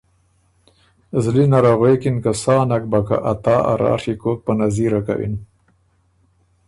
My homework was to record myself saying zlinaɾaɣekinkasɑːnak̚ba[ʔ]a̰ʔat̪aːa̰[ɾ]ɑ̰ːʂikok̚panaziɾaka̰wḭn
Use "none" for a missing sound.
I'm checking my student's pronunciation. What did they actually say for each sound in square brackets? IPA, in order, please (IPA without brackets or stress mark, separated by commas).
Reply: k, ɾ